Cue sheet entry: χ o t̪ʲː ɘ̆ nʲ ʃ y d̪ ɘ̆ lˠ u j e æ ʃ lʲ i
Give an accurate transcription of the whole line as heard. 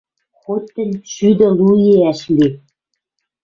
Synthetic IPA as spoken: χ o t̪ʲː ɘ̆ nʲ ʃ y d̪ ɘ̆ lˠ u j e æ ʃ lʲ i